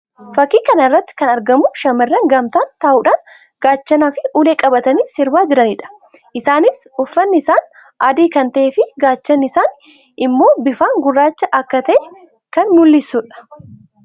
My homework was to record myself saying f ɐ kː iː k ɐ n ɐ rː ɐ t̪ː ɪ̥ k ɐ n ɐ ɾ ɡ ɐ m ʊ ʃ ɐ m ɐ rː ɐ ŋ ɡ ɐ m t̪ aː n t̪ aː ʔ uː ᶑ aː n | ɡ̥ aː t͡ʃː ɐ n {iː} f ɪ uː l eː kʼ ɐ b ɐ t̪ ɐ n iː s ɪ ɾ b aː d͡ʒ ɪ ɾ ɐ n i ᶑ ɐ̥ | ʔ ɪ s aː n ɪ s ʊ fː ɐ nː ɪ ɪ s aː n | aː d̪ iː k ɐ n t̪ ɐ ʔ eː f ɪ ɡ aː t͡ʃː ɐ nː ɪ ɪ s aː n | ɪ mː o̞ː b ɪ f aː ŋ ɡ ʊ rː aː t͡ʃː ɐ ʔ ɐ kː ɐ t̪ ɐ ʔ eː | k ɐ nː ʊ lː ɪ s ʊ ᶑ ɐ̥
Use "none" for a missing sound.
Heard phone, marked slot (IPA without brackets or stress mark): aː